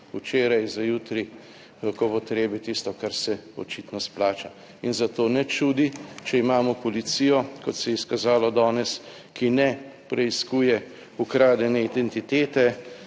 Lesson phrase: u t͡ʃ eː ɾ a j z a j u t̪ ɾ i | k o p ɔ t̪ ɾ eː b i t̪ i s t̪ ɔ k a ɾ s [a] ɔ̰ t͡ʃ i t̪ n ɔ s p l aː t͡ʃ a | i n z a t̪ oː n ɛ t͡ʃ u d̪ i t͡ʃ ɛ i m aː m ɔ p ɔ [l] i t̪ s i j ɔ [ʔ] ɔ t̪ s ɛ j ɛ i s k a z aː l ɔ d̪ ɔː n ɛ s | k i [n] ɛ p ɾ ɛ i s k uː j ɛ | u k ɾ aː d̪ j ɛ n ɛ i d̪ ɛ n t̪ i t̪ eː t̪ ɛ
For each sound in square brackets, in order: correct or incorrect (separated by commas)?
incorrect, correct, incorrect, correct